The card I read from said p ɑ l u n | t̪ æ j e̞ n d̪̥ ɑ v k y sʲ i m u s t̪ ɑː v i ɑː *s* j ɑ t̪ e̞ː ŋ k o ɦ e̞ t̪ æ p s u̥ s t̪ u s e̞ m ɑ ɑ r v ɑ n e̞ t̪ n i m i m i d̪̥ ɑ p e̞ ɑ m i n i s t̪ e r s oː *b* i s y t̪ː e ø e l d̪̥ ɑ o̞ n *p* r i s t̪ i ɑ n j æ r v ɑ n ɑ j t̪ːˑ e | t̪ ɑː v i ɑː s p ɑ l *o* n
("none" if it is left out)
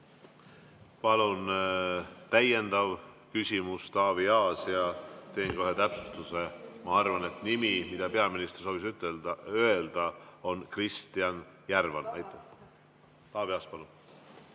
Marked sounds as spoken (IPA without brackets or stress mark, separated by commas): s, v, k, u